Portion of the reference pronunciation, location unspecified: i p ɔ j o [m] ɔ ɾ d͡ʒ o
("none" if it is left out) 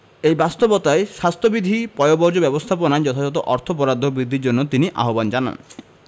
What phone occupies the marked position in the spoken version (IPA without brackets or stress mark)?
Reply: b